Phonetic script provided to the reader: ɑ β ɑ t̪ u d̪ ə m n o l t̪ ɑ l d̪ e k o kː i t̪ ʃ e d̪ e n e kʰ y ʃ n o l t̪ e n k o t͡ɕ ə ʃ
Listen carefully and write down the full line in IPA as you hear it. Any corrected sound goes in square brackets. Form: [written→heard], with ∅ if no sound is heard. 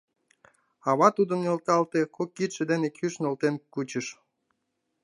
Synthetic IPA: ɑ β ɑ t̪ u d̪ ə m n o l t̪ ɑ l [d̪→t̪] e k o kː i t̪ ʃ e d̪ e n e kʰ y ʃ n o l t̪ e n k [o→u] t͡ɕ ə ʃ